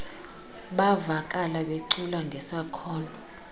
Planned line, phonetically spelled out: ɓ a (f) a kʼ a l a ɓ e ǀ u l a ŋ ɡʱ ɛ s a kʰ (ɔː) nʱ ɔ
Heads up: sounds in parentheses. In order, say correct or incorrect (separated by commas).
incorrect, correct